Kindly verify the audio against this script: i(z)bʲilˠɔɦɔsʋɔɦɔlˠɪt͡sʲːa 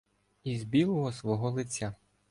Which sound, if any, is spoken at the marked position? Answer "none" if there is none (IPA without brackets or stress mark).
z